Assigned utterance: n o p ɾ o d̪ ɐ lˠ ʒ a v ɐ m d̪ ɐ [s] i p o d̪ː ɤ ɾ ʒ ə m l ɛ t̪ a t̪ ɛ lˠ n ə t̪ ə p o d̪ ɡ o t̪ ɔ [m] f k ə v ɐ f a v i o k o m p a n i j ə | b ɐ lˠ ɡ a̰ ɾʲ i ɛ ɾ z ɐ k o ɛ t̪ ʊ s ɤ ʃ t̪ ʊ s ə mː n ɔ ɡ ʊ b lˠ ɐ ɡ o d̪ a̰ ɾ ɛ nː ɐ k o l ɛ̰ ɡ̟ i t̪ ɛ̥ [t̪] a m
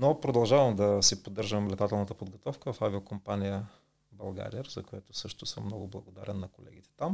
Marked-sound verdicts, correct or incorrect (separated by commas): correct, incorrect, correct